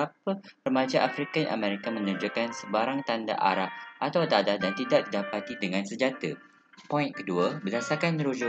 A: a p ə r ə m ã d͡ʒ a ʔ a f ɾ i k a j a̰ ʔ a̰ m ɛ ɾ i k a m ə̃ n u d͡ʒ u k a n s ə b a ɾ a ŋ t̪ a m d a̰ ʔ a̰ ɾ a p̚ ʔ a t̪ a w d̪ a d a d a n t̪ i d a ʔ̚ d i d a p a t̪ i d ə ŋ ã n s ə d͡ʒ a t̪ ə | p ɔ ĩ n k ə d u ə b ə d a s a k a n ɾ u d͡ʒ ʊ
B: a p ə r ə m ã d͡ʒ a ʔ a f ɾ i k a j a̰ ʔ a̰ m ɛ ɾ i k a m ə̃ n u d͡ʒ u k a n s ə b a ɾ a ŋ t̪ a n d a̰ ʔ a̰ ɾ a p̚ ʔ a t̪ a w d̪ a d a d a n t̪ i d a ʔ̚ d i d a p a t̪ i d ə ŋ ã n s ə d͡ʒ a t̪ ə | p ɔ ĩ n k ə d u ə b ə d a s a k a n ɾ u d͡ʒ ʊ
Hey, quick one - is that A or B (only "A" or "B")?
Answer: B